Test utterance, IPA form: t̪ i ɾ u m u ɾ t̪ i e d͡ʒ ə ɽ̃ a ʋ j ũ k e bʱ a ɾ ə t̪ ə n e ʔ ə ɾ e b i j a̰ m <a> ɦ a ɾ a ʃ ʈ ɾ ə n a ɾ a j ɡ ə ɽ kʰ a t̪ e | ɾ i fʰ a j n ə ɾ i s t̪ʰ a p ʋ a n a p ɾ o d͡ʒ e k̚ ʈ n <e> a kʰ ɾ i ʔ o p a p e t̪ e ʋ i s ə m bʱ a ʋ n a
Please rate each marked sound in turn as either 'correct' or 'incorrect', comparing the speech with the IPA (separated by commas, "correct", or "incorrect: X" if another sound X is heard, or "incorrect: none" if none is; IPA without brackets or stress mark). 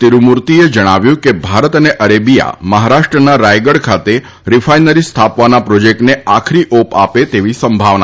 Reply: incorrect: ə, correct